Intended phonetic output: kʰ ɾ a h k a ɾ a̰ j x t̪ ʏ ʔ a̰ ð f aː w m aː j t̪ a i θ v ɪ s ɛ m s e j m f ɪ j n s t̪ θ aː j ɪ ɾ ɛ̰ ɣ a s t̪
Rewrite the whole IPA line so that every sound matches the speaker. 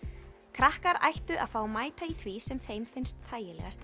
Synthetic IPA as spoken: kʰ ɾ a h k a ɾ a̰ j h t̪ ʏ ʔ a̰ ð f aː w m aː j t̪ a i θ v i s ɛ m θ e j m f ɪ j n s t̪ θ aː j ɪ l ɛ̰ ɣ a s t̪